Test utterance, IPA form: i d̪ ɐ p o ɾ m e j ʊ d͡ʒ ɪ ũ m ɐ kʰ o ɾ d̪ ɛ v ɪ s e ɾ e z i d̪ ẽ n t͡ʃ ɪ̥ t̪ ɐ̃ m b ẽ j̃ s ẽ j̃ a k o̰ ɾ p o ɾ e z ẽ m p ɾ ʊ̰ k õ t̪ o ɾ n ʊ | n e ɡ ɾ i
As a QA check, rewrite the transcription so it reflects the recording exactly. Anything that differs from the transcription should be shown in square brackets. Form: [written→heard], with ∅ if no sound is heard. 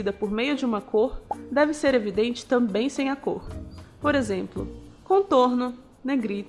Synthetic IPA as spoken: i d̪ ɐ p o ɾ m e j ʊ d͡ʒ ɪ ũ m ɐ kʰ o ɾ d̪ ɛ v ɪ s e ɾ e [z→v] i d̪ ẽ n t͡ʃ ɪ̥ t̪ ɐ̃ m b ẽ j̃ s ẽ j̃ a k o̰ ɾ p o ɾ e z ẽ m p [ɾ→l] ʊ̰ k õ t̪ o ɾ n ʊ | n e ɡ ɾ i